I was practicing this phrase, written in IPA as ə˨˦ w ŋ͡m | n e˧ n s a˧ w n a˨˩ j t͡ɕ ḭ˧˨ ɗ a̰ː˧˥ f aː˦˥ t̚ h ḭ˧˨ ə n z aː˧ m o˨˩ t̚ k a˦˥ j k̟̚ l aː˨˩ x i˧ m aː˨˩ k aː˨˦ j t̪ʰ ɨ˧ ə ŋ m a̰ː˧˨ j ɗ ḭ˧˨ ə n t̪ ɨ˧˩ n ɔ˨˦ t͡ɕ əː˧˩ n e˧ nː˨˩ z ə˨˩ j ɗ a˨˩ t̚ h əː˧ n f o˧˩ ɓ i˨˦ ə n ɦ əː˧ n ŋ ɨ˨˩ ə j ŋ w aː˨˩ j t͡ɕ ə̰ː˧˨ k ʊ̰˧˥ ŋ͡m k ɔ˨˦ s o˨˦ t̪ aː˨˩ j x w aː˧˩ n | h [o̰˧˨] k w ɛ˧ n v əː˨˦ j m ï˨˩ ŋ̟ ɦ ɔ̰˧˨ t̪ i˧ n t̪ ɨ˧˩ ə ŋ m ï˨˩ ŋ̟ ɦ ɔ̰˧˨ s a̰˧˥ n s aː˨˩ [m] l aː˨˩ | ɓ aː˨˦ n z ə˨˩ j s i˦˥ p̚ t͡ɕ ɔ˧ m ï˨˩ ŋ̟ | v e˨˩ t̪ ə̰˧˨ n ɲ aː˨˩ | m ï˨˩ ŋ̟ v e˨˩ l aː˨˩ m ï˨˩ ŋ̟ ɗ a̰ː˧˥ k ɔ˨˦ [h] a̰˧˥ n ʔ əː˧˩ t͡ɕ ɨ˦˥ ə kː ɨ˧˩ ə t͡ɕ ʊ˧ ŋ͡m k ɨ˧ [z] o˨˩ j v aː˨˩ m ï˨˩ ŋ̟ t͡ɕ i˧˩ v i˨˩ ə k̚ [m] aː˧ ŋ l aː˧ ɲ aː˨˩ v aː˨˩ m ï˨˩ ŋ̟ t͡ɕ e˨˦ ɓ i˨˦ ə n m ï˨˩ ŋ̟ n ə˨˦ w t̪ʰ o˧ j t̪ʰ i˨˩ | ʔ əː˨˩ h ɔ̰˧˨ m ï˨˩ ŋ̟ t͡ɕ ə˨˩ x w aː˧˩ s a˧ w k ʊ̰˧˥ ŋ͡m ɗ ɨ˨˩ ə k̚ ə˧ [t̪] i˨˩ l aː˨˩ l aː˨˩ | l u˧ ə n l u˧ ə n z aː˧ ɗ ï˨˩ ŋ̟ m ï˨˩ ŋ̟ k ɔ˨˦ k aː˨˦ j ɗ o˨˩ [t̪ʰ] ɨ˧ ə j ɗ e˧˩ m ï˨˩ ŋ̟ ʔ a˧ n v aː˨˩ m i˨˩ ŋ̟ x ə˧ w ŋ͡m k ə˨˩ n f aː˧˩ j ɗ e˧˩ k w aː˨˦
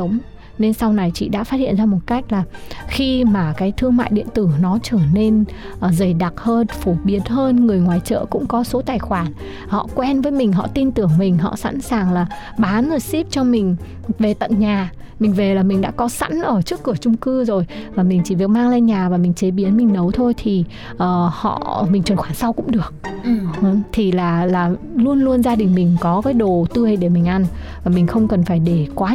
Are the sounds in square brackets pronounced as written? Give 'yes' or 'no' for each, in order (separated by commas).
no, no, no, yes, yes, no, no